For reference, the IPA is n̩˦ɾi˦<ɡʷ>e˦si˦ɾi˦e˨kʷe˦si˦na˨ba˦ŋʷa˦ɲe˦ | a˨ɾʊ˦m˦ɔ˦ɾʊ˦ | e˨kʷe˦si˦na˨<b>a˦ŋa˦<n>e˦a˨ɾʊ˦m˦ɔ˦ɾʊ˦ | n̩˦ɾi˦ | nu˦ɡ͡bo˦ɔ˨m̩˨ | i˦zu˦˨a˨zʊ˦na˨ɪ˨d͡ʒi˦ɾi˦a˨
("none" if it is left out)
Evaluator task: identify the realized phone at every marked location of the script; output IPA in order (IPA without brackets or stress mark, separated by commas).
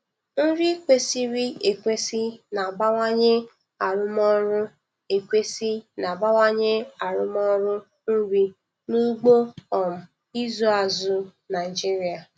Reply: kʷ, b, ɲ